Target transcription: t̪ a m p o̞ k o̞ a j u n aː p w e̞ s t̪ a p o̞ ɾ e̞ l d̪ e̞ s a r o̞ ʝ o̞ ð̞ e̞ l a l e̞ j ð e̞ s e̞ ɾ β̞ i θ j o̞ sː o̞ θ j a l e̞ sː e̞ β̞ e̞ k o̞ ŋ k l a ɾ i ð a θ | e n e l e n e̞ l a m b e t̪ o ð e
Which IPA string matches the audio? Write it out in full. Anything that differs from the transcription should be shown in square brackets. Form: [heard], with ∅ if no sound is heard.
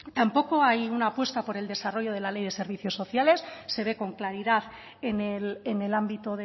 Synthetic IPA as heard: t̪ a m p o̞ k o̞ a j u n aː p w e̞ s t̪ a p o̞ ɾ e̞ l d̪ e̞ s a r o̞ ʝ o̞ ð̞ e̞ l a l e̞ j ð e̞ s e̞ ɾ β̞ i θ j o̞ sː o̞ θ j a l e̞ sː e̞ β̞ e̞ k o̞ ŋ k l a ɾ i ð a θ | e n e l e n e̞ l a m b [i] t̪ o ð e